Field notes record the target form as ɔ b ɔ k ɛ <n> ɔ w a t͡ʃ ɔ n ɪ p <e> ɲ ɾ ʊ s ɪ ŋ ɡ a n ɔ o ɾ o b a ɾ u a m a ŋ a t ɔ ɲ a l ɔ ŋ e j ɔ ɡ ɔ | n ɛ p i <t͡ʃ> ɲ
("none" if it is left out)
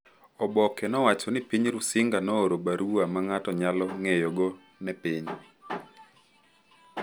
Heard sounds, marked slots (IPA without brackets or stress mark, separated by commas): n, i, none